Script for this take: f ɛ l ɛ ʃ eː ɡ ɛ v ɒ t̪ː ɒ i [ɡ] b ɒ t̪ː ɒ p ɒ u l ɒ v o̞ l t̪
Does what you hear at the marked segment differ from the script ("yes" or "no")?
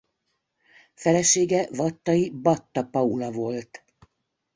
yes